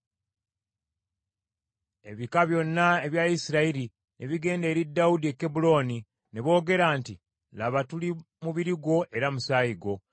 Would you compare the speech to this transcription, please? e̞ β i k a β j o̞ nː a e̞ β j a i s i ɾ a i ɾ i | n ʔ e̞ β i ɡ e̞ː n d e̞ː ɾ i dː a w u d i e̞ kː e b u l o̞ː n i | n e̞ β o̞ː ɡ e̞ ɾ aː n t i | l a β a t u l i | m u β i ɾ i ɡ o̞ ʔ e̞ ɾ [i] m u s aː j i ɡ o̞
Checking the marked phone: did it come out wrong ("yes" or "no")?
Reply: yes